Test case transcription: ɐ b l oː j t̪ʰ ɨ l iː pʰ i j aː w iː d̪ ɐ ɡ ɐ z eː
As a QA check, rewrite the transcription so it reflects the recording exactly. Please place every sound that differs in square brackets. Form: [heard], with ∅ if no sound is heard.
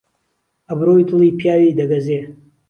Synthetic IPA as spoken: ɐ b [ɾ] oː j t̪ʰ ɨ l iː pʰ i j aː w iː d̪ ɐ ɡ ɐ z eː